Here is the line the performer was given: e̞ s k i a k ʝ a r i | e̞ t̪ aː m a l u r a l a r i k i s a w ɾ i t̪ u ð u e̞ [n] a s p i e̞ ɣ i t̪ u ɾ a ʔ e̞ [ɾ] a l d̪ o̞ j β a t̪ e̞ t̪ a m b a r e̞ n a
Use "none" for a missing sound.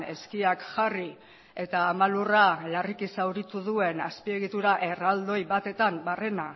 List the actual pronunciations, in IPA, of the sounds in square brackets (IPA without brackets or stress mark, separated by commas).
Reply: n, r